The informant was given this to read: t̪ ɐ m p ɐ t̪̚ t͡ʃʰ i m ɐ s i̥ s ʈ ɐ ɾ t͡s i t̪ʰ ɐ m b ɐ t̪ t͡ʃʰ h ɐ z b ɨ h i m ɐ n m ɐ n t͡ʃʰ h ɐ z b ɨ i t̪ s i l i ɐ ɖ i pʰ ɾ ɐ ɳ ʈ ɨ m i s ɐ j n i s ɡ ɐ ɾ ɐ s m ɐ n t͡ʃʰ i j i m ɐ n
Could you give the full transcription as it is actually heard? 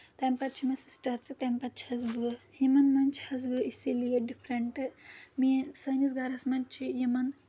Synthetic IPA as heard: t̪ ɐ m p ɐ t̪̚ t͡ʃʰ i m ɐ s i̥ s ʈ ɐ ɾ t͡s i t̪ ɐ m p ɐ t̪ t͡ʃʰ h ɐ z b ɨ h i m ɐ n m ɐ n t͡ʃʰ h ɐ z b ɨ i s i l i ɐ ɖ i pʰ ɾ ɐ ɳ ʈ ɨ m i s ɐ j n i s ɡ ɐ ɾ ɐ s m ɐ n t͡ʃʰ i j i m ɐ n